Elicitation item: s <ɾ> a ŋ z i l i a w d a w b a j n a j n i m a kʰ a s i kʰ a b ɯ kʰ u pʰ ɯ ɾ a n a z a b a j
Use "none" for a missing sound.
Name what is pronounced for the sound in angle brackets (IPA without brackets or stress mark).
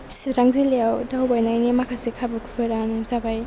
ɾ